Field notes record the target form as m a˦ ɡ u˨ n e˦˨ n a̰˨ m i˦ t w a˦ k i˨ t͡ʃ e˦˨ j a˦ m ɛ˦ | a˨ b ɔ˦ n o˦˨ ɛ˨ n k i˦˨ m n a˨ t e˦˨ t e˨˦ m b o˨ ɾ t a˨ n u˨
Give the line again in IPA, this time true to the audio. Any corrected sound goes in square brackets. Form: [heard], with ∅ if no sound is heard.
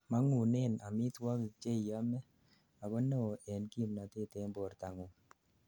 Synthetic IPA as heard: m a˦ [ŋ] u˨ n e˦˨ n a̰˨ m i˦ t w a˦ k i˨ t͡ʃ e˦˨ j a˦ m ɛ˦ | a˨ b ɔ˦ n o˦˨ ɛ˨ n k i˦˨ m n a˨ t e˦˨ t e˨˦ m b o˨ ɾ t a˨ [ŋ] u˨